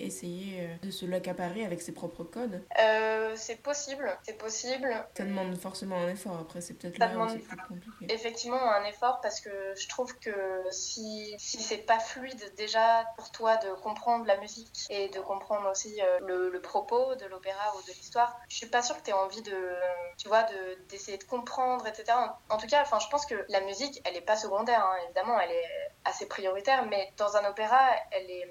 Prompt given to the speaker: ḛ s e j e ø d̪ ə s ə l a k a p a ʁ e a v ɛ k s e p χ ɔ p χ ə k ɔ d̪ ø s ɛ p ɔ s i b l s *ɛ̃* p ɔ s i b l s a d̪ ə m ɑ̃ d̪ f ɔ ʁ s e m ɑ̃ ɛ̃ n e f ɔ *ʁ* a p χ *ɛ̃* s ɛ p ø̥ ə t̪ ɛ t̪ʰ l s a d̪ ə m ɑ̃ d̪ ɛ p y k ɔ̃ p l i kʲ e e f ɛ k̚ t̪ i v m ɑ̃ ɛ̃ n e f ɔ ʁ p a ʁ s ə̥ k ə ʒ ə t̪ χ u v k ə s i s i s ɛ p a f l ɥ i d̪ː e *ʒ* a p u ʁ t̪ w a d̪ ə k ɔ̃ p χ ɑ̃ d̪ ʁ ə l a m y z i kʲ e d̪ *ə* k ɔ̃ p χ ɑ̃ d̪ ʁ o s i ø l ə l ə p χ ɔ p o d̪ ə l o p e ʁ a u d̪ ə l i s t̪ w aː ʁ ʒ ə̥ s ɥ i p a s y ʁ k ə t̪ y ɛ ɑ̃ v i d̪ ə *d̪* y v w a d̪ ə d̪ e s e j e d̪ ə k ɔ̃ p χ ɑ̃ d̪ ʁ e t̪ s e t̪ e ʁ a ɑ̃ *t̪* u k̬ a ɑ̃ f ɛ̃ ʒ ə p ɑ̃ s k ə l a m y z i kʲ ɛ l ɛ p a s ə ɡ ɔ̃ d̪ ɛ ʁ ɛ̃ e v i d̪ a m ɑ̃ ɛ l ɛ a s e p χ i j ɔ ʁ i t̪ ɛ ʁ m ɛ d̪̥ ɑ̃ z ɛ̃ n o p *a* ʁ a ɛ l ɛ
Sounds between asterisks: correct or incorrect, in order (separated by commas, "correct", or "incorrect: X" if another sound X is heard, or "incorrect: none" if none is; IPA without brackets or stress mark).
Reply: incorrect: ɛ, correct, incorrect: ɛ, correct, correct, incorrect: t̪, correct, incorrect: e